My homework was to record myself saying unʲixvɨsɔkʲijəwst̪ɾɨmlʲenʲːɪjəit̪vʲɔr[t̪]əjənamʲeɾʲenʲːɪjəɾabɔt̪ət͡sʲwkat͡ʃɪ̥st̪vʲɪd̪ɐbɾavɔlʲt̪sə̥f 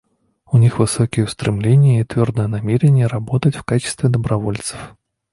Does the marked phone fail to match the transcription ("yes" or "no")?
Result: yes